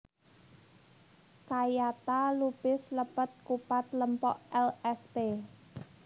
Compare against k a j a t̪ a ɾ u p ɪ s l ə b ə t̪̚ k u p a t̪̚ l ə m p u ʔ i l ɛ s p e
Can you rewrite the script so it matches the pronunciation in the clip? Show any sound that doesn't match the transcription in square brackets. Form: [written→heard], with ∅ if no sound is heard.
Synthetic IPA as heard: k a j a t̪ a [ɾ→l] u p ɪ s l ə [b→p] ə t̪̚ k u p a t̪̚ l ə m p [u→ɔ] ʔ [i→ɛ] l ɛ s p e

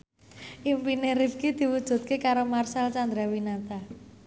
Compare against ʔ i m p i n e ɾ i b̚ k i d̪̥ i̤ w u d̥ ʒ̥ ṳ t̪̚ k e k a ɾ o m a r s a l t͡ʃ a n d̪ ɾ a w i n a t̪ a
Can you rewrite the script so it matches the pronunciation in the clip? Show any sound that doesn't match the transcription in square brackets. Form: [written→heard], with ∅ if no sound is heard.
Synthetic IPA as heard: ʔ i m p i n e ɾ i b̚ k i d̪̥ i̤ w u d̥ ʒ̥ ṳ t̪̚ k e k a ɾ o m a r s a l t͡ʃ a n d̪ ɾ a w i n a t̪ a

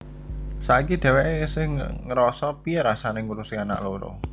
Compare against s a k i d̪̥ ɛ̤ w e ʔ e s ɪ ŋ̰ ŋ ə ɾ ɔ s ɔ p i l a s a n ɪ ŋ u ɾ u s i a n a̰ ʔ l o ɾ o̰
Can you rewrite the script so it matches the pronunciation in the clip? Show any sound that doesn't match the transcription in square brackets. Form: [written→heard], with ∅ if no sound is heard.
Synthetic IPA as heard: s a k i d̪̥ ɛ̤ w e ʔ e s ɪ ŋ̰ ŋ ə ɾ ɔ s ɔ p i [l→ɾ] a s a n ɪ ŋ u ɾ u s i a n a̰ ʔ l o ɾ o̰

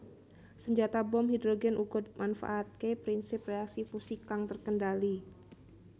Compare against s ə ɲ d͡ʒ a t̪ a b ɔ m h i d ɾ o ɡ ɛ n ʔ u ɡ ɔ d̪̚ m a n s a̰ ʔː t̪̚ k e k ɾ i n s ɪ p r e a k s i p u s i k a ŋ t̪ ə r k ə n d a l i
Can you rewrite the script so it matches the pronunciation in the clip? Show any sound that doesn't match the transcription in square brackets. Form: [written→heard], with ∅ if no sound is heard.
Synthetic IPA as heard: s ə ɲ d͡ʒ a t̪ a b ɔ m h i d ɾ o ɡ ɛ n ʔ u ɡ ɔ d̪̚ m a n [s→f] a̰ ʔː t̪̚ k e [k→p] ɾ i n s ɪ p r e a k s i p u s i k a ŋ t̪ ə r k ə n d a l i

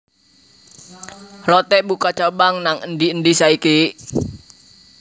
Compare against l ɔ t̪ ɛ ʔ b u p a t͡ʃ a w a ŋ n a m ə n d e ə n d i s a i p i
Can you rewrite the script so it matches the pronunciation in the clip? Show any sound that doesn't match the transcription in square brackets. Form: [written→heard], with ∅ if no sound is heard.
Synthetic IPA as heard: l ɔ t̪ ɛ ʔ b u [p→k] a t͡ʃ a [w→b] a ŋ n a [m→ŋ] ə n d [e→i] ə n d i s a i [p→k] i

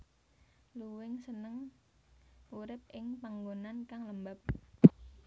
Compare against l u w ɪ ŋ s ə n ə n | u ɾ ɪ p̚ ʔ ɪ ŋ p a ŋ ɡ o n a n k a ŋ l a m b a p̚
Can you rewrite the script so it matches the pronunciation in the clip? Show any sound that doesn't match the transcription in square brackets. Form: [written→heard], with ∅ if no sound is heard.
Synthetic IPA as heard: l u w ɪ ŋ s ə n ə [n→ŋ] | u ɾ ɪ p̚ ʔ ɪ ŋ p a ŋ ɡ o n a n k a ŋ l [a→ə] m b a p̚

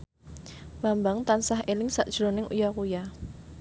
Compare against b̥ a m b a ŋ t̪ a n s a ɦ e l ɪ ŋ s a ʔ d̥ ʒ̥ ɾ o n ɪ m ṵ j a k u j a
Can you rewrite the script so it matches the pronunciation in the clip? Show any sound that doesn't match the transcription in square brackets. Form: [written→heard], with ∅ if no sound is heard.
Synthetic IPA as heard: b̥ a m b a ŋ t̪ a n s a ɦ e l ɪ ŋ s a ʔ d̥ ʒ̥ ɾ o n ɪ [m→ŋ] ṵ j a k u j a

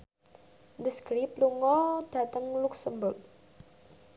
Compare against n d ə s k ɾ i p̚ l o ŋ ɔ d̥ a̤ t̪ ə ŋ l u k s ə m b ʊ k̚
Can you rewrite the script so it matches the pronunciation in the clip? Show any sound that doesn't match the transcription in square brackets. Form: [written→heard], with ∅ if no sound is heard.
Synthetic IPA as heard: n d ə s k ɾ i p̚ l [o→u] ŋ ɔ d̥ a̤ t̪ ə ŋ l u k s ə m b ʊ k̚

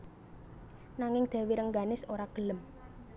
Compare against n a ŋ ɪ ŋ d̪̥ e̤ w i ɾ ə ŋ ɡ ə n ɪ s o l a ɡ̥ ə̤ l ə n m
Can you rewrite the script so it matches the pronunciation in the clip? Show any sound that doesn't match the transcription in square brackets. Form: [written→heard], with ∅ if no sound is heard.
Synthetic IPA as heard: n a ŋ ɪ ŋ d̪̥ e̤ w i ɾ ə ŋ ɡ [ə→a] n ɪ s o [l→ɾ] a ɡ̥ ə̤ l ə [n→∅] m

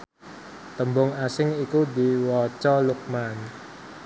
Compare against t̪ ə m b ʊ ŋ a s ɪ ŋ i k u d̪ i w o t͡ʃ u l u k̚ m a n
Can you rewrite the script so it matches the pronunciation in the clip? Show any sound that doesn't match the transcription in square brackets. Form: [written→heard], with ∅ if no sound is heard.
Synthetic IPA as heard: t̪ ə m b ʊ ŋ a s ɪ ŋ i k u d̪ i w [o→ɔ] t͡ʃ [u→ɔ] l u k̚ m a n

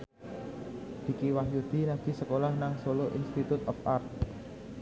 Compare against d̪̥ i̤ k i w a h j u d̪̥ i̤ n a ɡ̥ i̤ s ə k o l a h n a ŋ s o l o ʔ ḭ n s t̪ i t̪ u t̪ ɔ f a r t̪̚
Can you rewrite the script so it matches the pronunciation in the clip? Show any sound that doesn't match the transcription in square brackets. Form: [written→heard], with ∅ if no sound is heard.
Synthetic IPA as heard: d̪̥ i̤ k i w a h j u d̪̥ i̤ n a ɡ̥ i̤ s ə k o l a h n a ŋ s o l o ʔ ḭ n s t̪ i t̪ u t̪ ɔ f a r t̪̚

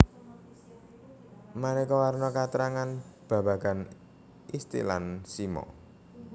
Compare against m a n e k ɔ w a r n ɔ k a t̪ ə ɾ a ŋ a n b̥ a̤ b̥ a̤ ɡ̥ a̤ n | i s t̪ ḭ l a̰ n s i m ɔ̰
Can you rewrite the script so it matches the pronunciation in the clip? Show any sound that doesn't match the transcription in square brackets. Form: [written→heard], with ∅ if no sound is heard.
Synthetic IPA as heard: m a n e k ɔ w a r n ɔ k a t̪ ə ɾ a ŋ a n b̥ a̤ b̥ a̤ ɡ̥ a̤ n | i s t̪ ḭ l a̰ n s i m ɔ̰

